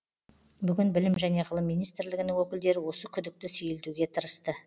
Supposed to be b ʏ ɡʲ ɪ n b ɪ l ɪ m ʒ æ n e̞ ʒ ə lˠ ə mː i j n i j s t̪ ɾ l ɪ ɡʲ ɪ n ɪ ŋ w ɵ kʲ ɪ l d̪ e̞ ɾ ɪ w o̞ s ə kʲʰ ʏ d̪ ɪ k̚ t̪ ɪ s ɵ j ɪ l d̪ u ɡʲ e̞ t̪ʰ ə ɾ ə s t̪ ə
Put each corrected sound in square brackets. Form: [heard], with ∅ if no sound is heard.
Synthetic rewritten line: b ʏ ɡʲ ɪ n b ɪ l ɪ m ʒ æ n e̞ [ʁ] ə lˠ ə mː i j n i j s t̪ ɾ l ɪ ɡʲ ɪ n ɪ ŋ w ɵ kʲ ɪ l d̪ e̞ ɾ ɪ w o̞ s ə kʲʰ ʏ d̪ ɪ k̚ t̪ ɪ s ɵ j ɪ l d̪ u ɡʲ e̞ t̪ʰ ə ɾ ə s t̪ ə

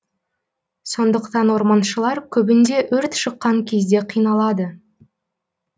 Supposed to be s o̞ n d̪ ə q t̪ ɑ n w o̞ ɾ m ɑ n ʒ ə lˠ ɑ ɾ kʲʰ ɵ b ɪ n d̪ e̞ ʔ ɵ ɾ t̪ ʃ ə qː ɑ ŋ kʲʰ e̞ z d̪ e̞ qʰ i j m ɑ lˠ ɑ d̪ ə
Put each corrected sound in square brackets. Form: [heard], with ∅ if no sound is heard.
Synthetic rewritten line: s o̞ n d̪ ə q t̪ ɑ n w o̞ ɾ m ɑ n [ʃ] ə lˠ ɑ ɾ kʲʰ ɵ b ɪ n d̪ e̞ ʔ ɵ ɾ t̪ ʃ ə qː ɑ ŋ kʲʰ e̞ z d̪ e̞ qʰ i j [n] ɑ lˠ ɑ d̪ ə

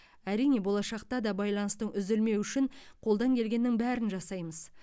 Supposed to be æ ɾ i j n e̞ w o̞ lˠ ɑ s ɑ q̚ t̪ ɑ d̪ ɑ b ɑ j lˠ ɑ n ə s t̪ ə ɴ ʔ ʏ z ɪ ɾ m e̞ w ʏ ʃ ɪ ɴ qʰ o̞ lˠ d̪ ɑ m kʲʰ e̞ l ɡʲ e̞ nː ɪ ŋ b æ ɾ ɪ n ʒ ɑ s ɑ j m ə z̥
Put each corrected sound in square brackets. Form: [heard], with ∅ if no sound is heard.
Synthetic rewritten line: æ ɾ i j n e̞ [b] o̞ lˠ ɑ [ʃ] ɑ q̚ t̪ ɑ d̪ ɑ b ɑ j lˠ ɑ n ə s t̪ ə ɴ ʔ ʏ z ɪ [l] m e̞ w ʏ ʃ ɪ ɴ qʰ o̞ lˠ d̪ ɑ [ŋ] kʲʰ e̞ l ɡʲ e̞ nː ɪ ŋ b æ ɾ ɪ n ʒ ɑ s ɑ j m ə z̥

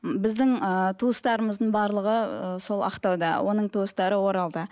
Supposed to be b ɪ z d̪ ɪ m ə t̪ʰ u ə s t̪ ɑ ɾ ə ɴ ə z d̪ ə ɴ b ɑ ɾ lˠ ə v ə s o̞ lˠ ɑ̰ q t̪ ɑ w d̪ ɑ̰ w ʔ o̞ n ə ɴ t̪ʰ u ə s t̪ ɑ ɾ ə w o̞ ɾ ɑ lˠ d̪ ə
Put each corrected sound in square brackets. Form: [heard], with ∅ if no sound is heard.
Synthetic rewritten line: b ɪ z d̪ ɪ [ŋ] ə t̪ʰ u ə s t̪ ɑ ɾ ə [m] ə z d̪ ə ɴ b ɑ ɾ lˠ ə [ʁ] ə s o̞ lˠ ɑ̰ q t̪ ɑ w d̪ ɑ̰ w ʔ o̞ n ə ɴ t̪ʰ u ə s t̪ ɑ ɾ ə w o̞ ɾ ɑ lˠ d̪ ə

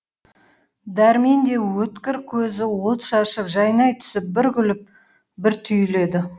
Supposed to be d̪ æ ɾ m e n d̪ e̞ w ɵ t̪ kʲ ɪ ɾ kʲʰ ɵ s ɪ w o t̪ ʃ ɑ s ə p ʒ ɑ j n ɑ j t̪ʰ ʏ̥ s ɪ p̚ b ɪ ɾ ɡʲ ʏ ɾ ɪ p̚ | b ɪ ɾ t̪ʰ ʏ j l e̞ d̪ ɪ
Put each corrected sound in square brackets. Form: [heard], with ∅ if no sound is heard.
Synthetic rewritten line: d̪ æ ɾ m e n d̪ e̞ w ɵ t̪ kʲ ɪ ɾ kʲʰ ɵ [z] ɪ w o t̪ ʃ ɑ [ʃ] ə p ʒ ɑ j n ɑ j t̪ʰ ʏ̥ s ɪ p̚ b ɪ ɾ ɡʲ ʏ [l] ɪ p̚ | b ɪ ɾ t̪ʰ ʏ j l e̞ d̪ ɪ

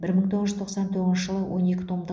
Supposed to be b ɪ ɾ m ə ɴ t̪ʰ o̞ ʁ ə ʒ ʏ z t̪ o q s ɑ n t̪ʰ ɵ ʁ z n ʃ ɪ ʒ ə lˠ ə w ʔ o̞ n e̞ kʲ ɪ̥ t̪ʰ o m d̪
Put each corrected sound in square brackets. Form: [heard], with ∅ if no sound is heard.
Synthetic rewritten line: b ɪ ɾ m ə ɴ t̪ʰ o̞ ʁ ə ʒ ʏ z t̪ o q s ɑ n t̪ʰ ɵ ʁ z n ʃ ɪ ʒ ə lˠ ə w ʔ o̞ n e̞ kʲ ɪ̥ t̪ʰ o m d̪

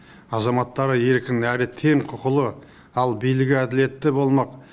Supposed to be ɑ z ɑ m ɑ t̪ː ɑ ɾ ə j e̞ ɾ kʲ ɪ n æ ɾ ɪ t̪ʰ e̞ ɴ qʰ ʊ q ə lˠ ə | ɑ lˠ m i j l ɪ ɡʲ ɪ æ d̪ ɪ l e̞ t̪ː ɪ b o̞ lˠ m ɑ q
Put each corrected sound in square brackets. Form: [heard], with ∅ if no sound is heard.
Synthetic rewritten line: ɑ z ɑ m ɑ t̪ː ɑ ɾ ə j e̞ ɾ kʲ ɪ n æ ɾ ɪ t̪ʰ e̞ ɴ qʰ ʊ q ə lˠ ə | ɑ lˠ [b] i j l ɪ ɡʲ ɪ æ d̪ ɪ l e̞ t̪ː ɪ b o̞ lˠ m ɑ q

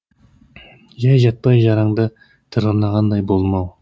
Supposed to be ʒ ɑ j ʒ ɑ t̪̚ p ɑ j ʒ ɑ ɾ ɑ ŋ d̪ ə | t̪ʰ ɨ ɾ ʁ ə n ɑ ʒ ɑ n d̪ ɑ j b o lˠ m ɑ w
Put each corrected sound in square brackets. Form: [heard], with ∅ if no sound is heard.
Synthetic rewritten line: ʒ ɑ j ʒ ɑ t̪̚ p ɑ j ʒ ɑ ɾ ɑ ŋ d̪ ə | t̪ʰ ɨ ɾ ʁ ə n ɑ [ʁ] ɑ n d̪ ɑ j b o lˠ m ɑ w

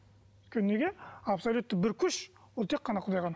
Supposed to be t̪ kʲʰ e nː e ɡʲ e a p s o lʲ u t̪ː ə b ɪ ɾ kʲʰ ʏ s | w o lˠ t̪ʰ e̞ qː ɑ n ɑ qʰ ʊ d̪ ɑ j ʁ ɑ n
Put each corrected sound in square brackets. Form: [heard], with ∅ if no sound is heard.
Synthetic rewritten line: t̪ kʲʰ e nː e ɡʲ e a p s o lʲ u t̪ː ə b ɪ ɾ kʲʰ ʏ [ʃ] | w o lˠ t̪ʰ e̞ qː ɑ n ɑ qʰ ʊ d̪ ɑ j ʁ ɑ n

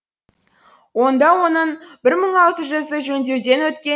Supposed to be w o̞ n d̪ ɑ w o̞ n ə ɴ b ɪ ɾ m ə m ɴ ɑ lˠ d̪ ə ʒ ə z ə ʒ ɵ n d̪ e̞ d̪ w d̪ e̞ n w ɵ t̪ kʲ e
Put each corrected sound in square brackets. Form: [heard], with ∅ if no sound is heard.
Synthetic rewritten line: w o̞ n d̪ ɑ w o̞ n ə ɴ b ɪ ɾ m ə [∅] ɴ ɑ lˠ [t̪] ə ʒ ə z ə ʒ ɵ n d̪ e̞ [∅] w d̪ e̞ n w ɵ t̪ kʲ e

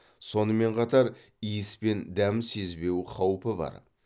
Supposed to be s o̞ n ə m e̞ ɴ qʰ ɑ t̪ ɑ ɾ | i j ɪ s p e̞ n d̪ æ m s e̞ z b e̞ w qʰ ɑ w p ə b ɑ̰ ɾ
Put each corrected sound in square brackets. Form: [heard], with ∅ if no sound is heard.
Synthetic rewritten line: s o̞ n ə m e̞ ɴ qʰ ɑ t̪ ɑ ɾ | i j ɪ s p e̞ n d̪ æ m s e̞ z b e̞ w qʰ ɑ w p ə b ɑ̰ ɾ

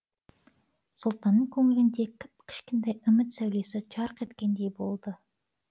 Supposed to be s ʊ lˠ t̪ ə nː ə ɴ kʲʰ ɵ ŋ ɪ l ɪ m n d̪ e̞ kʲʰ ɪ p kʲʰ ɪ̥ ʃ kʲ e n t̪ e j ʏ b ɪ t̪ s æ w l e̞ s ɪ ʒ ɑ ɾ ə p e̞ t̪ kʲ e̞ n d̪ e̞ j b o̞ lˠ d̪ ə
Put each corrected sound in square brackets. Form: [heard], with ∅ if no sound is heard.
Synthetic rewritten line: s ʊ lˠ t̪ [ɑ] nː ə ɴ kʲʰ ɵ ŋ ɪ l ɪ [∅] n d̪ e̞ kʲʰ ɪ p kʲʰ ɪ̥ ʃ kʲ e n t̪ e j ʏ [m] ɪ t̪ s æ w l e̞ s ɪ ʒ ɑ ɾ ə [q] e̞ t̪ kʲ e̞ n d̪ e̞ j b o̞ lˠ d̪ ə

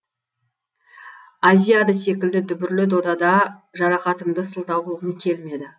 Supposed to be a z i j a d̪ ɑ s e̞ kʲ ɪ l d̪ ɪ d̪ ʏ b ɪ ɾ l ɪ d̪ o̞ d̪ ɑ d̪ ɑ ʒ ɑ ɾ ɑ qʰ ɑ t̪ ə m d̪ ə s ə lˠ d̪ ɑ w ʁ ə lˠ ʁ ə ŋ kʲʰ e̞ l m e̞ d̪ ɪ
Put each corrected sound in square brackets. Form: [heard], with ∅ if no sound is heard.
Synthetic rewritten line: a z i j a d̪ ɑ s e̞ kʲ ɪ l d̪ ɪ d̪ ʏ b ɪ ɾ l ɪ d̪ o̞ d̪ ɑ d̪ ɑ ʒ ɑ ɾ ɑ [q] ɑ t̪ ə m d̪ ə s ə lˠ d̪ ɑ w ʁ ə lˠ ʁ ə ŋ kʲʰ e̞ l m e̞ d̪ ɪ

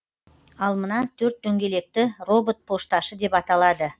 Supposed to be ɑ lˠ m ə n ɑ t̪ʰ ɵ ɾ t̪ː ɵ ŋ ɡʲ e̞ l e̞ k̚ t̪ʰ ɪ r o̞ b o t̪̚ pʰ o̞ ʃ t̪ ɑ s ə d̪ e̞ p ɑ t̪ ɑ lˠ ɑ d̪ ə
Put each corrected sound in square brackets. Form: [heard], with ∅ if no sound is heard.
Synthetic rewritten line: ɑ lˠ m ə n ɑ t̪ʰ ɵ ɾ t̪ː ɵ ŋ ɡʲ e̞ l e̞ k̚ [t̪] ɪ r o̞ b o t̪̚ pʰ o̞ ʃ t̪ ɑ [ʃ] ə d̪ e̞ p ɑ t̪ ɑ lˠ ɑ d̪ ə

